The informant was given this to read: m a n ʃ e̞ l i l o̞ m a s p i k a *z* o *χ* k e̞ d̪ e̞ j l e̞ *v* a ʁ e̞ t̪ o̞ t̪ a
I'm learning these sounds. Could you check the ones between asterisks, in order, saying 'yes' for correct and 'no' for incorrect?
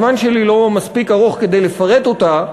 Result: no, yes, no

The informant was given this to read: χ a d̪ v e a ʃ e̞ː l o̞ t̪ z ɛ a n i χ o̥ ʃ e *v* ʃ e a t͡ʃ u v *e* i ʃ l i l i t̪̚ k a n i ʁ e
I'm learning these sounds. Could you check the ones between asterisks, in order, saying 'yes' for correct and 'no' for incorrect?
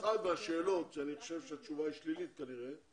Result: yes, no

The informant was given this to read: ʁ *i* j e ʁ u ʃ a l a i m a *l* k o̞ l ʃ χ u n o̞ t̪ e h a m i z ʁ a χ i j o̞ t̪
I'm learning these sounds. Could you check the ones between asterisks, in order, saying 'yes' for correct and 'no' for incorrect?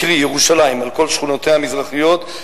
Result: yes, yes

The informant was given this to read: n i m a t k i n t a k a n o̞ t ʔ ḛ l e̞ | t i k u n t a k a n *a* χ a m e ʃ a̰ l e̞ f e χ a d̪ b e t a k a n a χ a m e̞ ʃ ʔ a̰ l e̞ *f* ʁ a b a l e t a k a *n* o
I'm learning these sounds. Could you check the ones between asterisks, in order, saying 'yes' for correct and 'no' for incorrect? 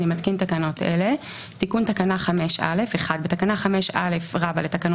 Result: yes, yes, yes

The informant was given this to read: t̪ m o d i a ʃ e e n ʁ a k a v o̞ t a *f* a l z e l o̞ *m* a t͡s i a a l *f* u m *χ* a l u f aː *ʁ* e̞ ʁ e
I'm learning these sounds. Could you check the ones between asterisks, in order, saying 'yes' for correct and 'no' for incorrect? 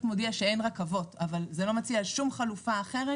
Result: no, yes, no, yes, no

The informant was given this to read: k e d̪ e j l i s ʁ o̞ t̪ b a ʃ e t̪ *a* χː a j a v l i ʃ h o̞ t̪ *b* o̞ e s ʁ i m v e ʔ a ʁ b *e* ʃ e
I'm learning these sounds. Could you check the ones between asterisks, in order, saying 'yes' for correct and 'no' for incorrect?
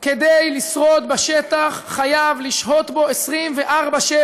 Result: yes, yes, no

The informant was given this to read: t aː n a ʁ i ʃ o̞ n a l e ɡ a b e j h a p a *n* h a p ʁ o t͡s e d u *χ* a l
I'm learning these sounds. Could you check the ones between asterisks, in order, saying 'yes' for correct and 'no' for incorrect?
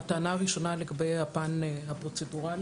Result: yes, no

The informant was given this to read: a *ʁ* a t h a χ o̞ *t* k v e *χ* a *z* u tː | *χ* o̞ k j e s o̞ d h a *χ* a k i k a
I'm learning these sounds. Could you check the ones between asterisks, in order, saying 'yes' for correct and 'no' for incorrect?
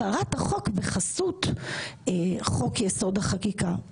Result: yes, no, yes, no, yes, yes

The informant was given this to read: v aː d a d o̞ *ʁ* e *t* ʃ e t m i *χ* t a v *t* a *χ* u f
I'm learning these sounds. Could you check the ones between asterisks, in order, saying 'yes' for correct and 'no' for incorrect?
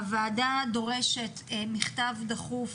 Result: yes, no, yes, no, yes

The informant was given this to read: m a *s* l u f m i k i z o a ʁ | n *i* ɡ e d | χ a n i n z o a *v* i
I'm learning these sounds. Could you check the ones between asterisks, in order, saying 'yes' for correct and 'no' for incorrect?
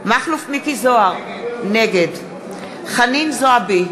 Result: no, no, no

